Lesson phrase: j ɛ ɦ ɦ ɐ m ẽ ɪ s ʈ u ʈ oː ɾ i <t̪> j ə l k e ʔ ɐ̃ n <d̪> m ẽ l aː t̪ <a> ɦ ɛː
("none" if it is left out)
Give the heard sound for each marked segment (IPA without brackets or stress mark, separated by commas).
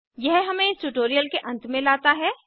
none, t̪, a